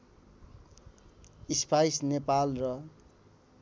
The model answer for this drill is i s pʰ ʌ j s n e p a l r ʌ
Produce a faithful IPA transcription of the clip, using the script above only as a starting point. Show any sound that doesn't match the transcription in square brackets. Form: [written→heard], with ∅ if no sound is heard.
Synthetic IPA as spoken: i s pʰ [ʌ→a] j s n e p a l r ʌ